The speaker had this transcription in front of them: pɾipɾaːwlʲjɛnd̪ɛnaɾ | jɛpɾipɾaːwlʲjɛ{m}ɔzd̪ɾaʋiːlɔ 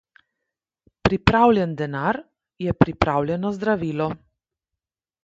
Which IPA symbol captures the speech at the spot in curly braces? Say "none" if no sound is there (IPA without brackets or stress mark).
n